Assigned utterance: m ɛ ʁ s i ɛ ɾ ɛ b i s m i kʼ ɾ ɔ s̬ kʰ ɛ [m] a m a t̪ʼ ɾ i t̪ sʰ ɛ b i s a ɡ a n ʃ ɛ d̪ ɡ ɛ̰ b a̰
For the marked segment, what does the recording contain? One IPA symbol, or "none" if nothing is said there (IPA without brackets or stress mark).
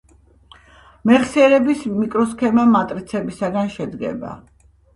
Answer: m